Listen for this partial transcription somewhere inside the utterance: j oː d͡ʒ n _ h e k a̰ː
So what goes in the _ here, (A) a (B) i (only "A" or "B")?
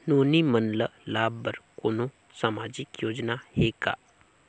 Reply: A